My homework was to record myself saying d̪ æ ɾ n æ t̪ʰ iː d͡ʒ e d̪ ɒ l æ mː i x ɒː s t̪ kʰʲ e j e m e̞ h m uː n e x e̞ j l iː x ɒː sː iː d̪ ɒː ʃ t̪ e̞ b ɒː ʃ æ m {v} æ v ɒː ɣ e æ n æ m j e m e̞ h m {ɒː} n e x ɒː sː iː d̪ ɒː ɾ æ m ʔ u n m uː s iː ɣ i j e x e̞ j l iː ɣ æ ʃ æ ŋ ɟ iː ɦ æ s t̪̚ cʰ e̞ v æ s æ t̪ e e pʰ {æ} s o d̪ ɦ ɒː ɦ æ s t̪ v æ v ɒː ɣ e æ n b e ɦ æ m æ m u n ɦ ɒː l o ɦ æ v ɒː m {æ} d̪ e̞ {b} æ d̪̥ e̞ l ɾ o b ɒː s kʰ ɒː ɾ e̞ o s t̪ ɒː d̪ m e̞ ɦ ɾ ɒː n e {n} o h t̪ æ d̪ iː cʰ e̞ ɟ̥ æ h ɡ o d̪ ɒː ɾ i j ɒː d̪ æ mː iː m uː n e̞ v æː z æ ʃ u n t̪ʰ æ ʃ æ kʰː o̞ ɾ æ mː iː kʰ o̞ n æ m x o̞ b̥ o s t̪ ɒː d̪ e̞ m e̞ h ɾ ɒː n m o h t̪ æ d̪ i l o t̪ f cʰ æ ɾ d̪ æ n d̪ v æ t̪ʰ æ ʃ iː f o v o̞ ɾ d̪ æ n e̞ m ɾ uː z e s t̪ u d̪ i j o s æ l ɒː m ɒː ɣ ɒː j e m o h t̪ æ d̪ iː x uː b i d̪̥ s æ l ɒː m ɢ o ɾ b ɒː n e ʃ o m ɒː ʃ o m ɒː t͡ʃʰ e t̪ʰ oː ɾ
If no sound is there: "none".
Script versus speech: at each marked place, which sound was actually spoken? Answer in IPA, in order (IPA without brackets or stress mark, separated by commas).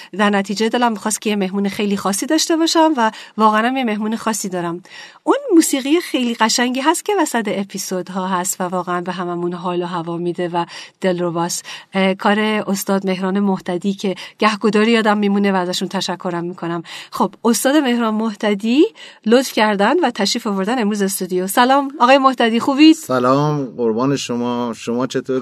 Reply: v, uː, i, i, v, m